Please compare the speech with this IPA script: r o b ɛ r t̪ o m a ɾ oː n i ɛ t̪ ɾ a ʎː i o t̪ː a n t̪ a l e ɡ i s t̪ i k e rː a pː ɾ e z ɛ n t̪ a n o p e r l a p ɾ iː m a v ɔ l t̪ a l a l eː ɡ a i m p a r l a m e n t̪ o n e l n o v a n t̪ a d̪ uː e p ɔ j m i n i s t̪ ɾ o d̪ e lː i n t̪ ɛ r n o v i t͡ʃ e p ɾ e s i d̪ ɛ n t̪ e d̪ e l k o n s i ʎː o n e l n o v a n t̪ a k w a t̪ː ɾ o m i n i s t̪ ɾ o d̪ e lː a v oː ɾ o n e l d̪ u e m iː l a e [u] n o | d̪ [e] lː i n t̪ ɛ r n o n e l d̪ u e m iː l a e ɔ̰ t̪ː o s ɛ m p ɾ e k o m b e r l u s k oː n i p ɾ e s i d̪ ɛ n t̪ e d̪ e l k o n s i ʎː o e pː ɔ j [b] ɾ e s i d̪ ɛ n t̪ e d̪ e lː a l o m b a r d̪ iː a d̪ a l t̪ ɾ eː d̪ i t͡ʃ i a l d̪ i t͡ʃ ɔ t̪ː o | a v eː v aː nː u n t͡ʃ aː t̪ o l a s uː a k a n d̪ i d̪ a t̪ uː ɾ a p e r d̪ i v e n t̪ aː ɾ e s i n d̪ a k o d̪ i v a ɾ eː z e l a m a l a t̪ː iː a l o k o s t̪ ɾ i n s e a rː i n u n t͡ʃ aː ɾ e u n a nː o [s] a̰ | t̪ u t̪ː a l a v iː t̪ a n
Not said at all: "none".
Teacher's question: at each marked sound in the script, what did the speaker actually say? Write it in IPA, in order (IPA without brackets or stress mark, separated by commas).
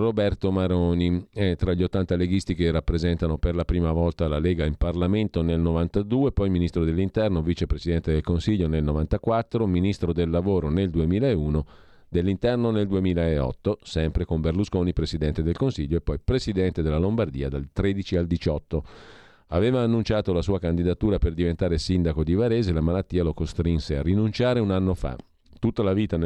uː, e, p, f